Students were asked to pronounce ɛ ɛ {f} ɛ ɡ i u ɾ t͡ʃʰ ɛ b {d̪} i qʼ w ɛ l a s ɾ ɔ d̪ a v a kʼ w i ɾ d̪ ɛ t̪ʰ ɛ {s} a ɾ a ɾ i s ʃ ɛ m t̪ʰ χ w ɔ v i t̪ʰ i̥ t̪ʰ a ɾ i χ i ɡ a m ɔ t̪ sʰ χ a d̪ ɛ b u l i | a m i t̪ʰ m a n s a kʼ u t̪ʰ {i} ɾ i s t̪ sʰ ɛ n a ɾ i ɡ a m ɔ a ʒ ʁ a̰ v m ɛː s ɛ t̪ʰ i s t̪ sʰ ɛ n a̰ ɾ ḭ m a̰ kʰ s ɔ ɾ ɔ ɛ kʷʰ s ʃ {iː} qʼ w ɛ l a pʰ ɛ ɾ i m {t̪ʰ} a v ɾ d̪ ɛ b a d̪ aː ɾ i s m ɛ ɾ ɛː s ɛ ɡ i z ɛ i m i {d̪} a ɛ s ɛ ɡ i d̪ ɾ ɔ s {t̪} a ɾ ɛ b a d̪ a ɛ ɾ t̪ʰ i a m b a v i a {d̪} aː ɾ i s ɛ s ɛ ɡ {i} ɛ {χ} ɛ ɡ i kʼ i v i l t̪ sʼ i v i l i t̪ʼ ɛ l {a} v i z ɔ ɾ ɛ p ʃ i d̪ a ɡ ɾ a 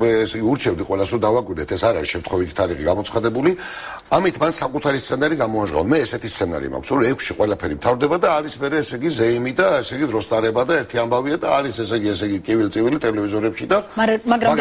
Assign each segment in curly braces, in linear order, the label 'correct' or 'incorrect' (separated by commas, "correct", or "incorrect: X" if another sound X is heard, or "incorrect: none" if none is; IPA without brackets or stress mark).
incorrect: s, correct, correct, incorrect: a, incorrect: i, correct, correct, incorrect: t̪ʼ, correct, correct, incorrect: s, incorrect: ɛ